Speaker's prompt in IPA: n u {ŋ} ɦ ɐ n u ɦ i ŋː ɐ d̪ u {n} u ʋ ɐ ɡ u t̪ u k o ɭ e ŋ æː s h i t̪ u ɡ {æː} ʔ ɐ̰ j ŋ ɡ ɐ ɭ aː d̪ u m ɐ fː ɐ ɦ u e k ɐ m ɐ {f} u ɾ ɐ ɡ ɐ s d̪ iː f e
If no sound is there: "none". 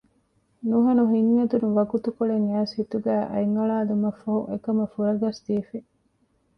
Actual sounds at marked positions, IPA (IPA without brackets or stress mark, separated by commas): none, n, æː, f